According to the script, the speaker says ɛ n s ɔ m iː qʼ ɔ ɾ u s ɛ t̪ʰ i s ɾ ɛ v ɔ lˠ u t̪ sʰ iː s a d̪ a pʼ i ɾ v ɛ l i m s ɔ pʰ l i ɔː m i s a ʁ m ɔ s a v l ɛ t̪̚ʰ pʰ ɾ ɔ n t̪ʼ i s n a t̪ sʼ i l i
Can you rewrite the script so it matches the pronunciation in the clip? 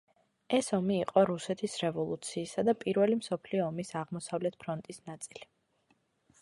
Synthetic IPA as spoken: ɛ s ɔ m iː qʼ ɔ ɾ u s ɛ t̪ʰ i s ɾ ɛ v ɔ lˠ u t̪ sʰ iː s a d̪ a pʼ i ɾ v ɛ l i m s ɔ pʰ l i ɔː m i s a ʁ m ɔ s a v l ɛ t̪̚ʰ pʰ ɾ ɔ n t̪ʼ i s n a t̪ sʼ i l i